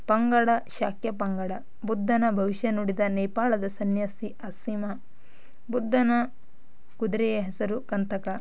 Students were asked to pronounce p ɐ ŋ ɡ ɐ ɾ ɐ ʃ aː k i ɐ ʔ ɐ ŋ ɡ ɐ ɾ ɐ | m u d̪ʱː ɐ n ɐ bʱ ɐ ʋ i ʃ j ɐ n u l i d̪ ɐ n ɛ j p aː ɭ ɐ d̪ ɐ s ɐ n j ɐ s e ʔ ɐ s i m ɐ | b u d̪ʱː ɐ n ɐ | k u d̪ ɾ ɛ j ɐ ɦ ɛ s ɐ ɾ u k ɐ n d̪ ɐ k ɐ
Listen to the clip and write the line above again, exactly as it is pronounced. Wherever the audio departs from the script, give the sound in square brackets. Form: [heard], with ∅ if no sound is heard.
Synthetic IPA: p ɐ ŋ ɡ ɐ [ɽ] ɐ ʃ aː k [j] ɐ [p] ɐ ŋ ɡ ɐ [ɽ] ɐ | [b] u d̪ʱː ɐ n ɐ bʱ ɐ ʋ i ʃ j ɐ n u [ɽ] i d̪ ɐ n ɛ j p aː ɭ ɐ d̪ ɐ s ɐ n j ɐ s [i] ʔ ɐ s i m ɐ | b u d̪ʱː ɐ n ɐ | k u d̪ ɾ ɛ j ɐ ɦ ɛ s ɐ ɾ u k ɐ n [t̪] ɐ k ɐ